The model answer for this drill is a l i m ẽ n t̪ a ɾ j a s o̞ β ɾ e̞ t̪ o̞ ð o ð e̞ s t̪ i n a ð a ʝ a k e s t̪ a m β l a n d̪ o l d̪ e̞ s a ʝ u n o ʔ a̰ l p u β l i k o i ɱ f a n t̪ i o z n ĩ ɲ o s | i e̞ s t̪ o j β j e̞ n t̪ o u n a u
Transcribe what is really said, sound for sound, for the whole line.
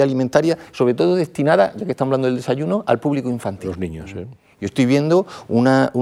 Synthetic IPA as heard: a l i m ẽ n t̪ a ɾ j a s o̞ β ɾ e̞ t̪ o̞ ð o ð e̞ s t̪ i n a ð a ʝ a k e s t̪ a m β l a n d̪ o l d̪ e̞ s a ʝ u n o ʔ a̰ l p u β l i k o i ɱ f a n t̪ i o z n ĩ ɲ o s | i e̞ s t̪ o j β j e̞ n d̪ o u n a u